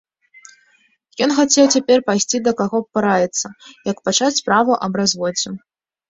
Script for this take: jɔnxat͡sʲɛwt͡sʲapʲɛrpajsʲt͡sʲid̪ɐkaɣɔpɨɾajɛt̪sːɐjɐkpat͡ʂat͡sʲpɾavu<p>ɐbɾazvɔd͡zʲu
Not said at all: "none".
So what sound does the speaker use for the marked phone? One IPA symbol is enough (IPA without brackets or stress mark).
ʔ